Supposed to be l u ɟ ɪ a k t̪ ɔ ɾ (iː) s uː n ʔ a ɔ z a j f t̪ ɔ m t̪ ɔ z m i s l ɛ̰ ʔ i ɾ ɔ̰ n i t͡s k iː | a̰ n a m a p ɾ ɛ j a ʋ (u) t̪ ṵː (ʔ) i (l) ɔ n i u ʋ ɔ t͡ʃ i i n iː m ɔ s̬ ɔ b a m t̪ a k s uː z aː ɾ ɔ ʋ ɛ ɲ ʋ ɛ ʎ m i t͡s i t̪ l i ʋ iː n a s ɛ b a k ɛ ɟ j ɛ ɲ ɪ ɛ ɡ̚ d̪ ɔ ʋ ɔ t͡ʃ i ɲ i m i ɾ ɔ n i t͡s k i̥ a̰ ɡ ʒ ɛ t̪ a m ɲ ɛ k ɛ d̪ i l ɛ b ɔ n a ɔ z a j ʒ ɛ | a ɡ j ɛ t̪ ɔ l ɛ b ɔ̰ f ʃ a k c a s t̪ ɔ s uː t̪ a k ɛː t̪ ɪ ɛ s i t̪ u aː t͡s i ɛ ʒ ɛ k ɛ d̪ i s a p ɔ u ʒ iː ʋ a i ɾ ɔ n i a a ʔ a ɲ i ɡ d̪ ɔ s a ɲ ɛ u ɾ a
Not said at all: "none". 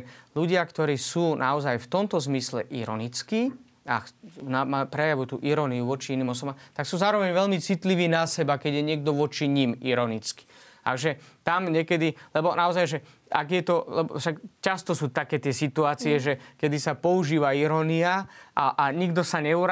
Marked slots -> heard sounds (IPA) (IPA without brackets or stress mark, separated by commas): iː, u, ʔ, ɾ